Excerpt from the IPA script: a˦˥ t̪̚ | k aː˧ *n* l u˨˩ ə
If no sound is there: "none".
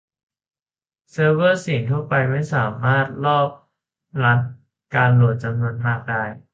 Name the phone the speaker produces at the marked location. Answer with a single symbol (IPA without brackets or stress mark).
n